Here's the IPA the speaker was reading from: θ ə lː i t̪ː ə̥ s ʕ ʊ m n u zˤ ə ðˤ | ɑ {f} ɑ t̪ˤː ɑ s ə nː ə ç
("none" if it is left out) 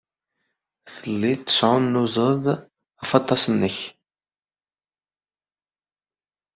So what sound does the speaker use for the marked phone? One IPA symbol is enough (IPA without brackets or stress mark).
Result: f